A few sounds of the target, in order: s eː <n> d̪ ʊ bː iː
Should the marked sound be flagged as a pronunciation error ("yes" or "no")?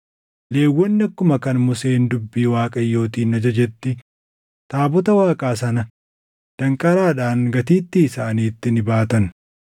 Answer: no